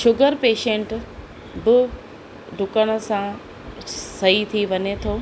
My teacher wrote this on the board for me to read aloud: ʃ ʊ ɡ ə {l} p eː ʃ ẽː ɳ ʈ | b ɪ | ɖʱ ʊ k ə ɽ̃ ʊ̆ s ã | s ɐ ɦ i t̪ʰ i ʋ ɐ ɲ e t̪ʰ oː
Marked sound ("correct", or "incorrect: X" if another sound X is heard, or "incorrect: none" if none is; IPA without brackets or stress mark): incorrect: ɾ